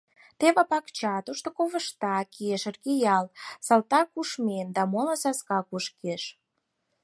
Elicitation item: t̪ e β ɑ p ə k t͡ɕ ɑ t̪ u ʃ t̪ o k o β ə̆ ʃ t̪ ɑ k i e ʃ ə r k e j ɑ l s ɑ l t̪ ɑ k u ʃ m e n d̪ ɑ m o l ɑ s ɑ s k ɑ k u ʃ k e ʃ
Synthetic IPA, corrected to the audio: t̪ e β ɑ p ɑ k t͡ɕ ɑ t̪ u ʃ t̪ o k o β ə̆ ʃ t̪ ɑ k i e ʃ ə r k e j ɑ l s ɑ l t̪ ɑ k u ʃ m e n d̪ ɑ m o l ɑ s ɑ s k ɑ k u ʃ k e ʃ